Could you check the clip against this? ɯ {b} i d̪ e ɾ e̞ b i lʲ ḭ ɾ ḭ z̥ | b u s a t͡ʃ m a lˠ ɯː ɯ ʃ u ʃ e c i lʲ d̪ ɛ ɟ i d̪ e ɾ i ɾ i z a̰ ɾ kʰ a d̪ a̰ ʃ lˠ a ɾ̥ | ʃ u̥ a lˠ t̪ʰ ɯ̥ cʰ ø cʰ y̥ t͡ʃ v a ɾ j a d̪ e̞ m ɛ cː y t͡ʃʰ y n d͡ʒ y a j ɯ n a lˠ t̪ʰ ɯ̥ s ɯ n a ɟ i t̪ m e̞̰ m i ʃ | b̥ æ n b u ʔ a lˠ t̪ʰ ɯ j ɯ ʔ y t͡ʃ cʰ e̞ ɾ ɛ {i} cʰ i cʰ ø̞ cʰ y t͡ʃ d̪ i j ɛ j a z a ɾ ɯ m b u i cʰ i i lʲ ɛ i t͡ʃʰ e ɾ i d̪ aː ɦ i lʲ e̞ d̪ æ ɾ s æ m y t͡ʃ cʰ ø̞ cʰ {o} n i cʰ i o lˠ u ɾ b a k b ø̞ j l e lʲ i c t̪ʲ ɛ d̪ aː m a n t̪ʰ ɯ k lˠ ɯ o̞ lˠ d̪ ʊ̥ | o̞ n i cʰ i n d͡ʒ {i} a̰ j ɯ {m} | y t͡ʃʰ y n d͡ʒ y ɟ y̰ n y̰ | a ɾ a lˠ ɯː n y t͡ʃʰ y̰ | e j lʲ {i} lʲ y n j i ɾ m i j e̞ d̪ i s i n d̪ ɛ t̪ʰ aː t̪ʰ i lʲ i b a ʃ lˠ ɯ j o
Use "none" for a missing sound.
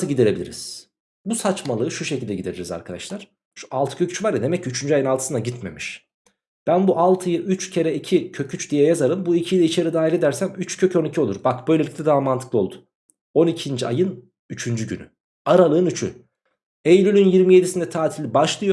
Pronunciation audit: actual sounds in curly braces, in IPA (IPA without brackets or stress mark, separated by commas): ɟ, i, o, i, n, y